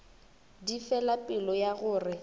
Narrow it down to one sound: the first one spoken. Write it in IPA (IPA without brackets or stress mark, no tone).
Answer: d